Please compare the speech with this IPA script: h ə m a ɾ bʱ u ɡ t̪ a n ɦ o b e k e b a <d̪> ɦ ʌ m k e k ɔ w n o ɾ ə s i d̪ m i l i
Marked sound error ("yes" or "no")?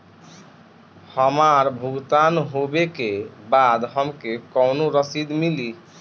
no